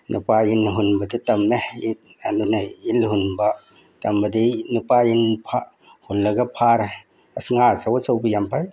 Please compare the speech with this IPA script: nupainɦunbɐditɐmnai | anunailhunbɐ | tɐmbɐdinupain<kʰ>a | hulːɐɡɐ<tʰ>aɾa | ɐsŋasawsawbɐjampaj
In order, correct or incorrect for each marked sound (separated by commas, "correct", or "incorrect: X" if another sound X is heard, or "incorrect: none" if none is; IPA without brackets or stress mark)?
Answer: incorrect: pʰ, incorrect: pʰ